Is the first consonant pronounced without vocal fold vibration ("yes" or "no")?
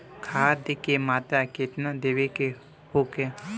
yes